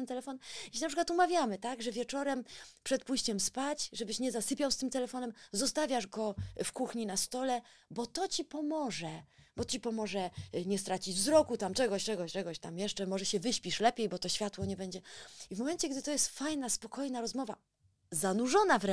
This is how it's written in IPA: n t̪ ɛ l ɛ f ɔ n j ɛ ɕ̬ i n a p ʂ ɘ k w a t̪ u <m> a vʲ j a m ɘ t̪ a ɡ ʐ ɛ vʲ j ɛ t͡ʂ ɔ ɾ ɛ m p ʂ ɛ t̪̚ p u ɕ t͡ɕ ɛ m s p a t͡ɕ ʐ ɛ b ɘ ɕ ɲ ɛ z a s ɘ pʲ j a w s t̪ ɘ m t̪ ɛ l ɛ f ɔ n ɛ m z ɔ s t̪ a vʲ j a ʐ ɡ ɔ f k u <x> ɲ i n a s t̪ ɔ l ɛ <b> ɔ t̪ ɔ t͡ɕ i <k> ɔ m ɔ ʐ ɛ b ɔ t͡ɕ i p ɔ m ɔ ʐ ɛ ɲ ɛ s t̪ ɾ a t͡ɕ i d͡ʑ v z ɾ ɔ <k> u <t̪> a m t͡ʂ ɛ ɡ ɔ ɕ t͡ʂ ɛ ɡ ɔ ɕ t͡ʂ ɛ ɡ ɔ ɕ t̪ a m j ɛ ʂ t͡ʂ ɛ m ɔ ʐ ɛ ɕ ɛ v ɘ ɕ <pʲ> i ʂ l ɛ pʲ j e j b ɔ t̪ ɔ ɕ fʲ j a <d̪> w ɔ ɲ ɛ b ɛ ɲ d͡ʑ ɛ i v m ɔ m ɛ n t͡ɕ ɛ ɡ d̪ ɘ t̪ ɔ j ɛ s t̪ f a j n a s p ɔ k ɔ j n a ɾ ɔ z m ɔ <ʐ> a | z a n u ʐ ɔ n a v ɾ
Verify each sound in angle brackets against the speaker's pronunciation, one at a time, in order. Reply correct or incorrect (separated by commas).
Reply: correct, correct, correct, incorrect, correct, correct, correct, incorrect, incorrect